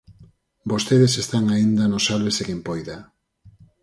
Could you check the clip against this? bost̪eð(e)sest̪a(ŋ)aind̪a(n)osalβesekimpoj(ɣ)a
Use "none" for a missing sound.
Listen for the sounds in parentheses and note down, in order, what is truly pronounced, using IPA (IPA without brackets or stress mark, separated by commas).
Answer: e, ŋ, n, ð